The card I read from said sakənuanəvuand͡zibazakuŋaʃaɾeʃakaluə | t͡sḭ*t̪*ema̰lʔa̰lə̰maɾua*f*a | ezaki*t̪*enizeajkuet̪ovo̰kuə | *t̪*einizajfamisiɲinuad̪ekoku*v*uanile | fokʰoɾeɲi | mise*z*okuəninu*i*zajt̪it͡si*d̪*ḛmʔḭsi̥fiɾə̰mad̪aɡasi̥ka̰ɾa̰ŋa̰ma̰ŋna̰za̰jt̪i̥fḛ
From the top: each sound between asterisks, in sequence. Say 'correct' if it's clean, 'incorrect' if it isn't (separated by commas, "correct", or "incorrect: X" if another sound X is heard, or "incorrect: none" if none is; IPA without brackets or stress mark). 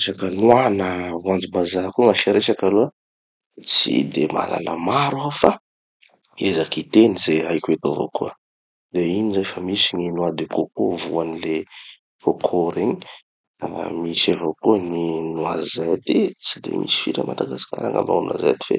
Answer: incorrect: d̪, correct, correct, incorrect: d̪, correct, incorrect: v, incorrect: a, correct